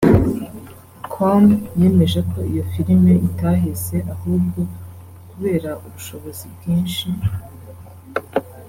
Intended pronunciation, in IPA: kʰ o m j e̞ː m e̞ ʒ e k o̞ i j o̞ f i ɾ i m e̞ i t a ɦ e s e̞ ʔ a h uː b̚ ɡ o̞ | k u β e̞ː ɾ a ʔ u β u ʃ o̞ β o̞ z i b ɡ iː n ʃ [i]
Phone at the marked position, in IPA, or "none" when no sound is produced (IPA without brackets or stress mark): i